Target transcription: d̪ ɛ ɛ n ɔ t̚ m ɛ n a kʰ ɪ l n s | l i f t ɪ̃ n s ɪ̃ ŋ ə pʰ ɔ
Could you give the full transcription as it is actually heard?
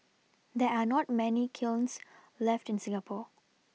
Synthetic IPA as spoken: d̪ ɛ a n ɔ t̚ m ɛ n i kʰ ɪ l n s | l ɛ f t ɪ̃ n s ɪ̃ ŋ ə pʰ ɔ